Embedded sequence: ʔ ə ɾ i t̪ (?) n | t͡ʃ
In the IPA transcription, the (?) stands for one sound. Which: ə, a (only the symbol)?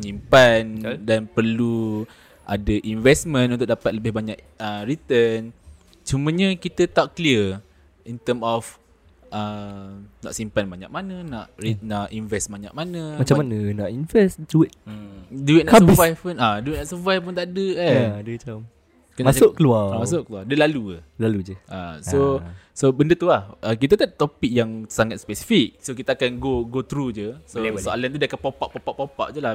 ə